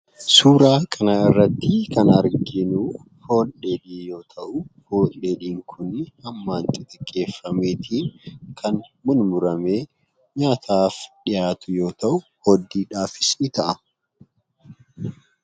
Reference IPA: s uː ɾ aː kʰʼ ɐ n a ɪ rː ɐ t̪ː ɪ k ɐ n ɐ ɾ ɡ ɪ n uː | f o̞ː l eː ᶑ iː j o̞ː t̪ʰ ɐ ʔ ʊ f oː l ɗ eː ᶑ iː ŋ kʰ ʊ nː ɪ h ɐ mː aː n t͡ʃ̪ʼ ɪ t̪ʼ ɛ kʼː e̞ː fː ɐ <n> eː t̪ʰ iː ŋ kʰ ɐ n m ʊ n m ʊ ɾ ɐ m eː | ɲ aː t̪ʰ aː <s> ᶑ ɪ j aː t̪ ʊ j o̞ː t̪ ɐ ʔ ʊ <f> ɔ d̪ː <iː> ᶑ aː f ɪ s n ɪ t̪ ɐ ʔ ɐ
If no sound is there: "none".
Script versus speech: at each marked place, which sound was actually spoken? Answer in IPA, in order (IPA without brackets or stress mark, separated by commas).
m, f, h, iː